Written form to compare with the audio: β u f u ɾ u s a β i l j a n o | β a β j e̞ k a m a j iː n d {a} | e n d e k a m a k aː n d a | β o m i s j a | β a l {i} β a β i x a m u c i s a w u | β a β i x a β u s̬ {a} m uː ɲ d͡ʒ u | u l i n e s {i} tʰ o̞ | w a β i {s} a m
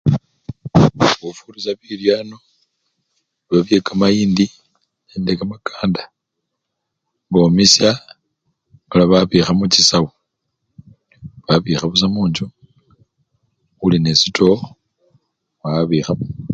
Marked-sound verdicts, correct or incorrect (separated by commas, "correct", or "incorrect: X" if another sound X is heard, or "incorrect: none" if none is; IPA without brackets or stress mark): incorrect: i, incorrect: a, correct, correct, incorrect: x